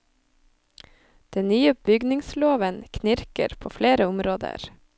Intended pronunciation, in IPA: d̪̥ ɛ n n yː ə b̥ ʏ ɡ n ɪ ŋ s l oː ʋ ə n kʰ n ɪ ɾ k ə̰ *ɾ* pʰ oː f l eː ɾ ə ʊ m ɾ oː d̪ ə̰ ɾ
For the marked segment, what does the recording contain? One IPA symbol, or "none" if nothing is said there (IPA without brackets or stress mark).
ɾ